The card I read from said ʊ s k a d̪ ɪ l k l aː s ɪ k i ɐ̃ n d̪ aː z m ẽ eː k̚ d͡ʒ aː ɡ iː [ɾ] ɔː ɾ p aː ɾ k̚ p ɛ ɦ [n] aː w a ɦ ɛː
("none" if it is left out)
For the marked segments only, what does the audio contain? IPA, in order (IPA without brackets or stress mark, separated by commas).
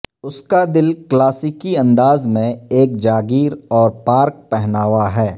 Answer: ɾ, n